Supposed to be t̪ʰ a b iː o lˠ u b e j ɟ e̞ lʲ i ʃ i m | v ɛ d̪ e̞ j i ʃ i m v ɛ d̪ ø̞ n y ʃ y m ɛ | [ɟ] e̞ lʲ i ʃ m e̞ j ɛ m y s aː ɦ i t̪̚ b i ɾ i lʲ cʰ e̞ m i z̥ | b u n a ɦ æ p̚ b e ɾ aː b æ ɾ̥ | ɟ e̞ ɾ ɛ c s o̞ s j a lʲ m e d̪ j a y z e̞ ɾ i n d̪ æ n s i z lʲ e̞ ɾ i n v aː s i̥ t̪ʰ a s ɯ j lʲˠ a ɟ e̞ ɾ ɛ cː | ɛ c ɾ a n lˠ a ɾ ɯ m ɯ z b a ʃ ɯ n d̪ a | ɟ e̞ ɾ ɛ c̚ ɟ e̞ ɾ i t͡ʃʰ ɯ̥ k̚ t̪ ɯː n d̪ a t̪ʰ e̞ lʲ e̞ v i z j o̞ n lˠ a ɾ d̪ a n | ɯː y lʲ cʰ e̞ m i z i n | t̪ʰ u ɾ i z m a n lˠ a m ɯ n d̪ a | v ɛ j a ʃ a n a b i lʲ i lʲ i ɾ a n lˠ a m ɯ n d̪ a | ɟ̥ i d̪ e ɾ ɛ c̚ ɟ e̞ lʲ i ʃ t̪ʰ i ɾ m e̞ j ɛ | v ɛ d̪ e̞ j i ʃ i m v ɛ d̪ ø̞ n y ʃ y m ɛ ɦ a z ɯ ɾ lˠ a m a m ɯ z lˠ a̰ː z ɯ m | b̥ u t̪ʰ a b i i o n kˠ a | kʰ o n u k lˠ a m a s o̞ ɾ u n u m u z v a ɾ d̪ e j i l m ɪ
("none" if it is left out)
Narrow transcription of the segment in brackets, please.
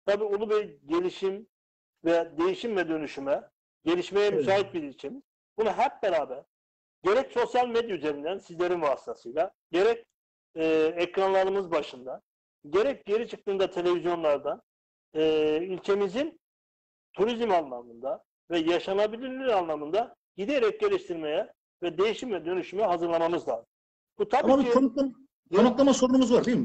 ɟ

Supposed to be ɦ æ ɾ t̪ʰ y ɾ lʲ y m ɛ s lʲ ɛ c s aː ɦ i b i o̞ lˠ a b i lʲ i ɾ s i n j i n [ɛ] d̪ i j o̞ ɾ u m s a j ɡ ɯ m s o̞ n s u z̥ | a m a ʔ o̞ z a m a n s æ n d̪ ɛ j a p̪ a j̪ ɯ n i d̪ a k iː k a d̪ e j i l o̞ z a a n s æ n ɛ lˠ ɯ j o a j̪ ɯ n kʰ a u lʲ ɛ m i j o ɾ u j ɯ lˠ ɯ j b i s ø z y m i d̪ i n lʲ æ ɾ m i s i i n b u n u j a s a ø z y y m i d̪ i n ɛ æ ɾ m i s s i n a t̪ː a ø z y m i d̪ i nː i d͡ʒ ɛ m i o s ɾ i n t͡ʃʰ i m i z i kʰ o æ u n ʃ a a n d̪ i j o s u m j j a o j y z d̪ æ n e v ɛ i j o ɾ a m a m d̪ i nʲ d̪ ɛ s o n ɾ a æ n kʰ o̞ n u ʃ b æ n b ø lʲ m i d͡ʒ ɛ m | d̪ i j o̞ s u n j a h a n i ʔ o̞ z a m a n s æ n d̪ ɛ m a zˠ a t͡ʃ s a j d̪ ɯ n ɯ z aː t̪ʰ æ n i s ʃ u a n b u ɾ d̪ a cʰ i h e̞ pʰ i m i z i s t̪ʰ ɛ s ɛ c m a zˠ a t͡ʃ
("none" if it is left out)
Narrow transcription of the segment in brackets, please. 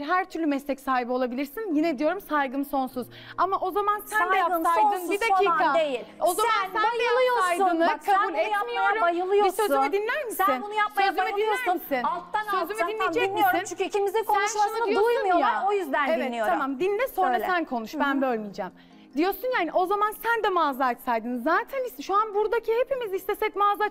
ɛ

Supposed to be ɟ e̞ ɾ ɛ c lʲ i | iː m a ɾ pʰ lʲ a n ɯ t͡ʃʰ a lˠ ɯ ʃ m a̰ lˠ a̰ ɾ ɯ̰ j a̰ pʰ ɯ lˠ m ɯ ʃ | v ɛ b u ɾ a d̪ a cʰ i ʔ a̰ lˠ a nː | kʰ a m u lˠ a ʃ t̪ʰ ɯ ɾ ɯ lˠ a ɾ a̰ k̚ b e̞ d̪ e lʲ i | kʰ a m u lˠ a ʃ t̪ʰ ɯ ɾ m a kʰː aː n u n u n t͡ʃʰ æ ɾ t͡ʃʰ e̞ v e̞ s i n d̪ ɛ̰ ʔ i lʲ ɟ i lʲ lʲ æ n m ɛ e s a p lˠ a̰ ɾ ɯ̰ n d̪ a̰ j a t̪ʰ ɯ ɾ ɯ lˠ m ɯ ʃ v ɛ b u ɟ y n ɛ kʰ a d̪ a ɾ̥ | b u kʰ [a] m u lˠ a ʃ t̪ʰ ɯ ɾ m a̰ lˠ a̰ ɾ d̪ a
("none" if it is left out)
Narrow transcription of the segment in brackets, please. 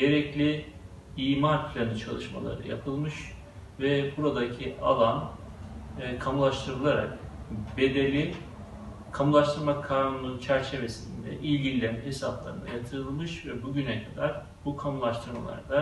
a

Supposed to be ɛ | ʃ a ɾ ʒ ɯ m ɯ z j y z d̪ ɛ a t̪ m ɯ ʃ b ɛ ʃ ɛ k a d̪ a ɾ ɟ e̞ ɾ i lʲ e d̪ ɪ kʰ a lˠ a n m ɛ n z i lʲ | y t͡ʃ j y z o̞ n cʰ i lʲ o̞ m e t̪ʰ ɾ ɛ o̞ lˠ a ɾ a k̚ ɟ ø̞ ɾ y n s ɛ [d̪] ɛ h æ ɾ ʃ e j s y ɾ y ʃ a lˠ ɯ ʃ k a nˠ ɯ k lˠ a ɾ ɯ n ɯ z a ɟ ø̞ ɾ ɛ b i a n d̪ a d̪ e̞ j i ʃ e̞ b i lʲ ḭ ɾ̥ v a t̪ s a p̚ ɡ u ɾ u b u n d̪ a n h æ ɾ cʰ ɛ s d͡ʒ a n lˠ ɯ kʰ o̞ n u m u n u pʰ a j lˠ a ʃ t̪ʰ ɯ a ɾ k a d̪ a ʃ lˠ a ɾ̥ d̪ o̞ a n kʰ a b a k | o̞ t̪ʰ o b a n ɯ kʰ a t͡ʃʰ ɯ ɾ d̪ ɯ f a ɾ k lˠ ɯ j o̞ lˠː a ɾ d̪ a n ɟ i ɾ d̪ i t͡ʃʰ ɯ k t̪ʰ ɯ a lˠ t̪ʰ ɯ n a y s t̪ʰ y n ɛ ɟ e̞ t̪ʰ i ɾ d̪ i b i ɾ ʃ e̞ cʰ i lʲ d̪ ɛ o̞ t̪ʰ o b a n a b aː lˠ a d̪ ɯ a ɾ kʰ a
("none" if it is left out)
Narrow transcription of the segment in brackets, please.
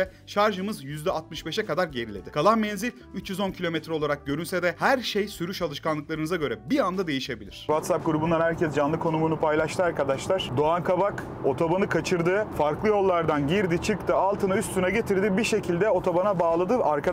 d̪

